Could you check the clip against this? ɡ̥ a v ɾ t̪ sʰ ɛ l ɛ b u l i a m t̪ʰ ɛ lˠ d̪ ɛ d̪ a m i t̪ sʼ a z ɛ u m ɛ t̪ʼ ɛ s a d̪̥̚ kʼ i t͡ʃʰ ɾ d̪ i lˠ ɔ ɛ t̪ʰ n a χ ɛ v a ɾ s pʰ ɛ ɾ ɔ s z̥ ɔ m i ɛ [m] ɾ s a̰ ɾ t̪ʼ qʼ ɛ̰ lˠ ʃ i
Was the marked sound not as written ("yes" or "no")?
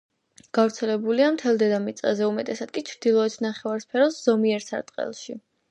yes